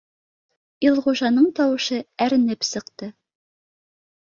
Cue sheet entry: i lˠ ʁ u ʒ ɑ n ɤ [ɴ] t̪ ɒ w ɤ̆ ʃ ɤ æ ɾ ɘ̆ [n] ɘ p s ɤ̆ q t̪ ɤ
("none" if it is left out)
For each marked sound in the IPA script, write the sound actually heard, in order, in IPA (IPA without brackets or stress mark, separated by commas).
ɴ, n